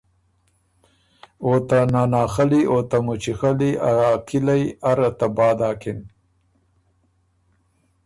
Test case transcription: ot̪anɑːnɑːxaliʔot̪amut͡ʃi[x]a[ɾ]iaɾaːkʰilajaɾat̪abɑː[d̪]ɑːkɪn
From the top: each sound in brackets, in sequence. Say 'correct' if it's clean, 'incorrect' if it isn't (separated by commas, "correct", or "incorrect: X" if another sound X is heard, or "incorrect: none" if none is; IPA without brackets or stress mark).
correct, incorrect: l, correct